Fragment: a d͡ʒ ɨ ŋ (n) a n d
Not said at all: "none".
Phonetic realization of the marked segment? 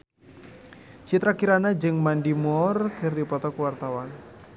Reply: m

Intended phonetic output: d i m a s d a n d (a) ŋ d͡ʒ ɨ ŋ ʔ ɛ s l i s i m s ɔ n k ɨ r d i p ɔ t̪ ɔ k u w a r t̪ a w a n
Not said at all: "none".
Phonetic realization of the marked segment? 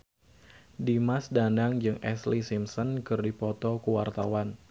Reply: a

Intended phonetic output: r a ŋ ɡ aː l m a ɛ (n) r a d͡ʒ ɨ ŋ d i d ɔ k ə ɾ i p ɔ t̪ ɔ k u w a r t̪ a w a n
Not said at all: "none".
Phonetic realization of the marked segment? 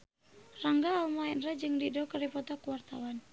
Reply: n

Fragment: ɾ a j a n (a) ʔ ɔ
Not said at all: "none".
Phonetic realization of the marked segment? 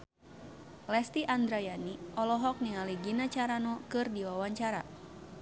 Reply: i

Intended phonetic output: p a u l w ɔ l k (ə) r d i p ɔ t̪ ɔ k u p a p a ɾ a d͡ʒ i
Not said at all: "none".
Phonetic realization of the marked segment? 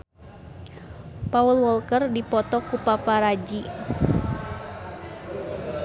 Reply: ə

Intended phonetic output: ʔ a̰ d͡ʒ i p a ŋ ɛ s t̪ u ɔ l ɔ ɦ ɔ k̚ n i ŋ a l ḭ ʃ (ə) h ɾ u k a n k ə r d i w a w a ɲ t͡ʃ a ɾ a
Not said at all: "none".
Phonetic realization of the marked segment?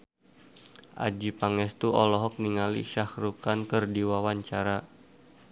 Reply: a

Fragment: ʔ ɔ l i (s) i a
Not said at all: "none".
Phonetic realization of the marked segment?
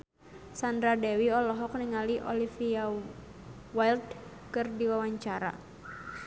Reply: f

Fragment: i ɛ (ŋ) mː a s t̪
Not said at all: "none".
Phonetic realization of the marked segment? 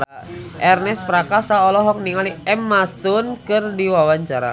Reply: none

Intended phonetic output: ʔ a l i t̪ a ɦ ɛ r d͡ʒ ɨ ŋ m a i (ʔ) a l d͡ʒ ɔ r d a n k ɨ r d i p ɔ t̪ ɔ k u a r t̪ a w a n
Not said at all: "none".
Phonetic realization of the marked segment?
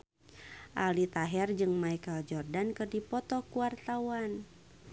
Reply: k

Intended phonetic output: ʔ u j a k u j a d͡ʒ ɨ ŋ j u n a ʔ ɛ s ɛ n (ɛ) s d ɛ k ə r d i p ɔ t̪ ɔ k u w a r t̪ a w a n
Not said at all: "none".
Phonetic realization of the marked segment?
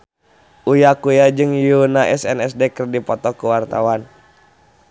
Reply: ɛ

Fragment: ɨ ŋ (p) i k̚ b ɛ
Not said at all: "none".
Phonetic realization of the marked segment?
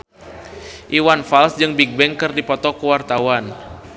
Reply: b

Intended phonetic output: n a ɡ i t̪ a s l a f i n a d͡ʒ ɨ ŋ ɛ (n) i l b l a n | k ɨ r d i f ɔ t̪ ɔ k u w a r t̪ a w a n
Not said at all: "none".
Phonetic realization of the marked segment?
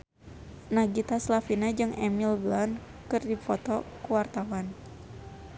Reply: m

